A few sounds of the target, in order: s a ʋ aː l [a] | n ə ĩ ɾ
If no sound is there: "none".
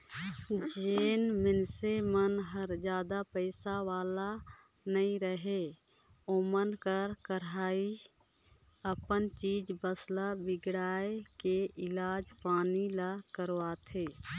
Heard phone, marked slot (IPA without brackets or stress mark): a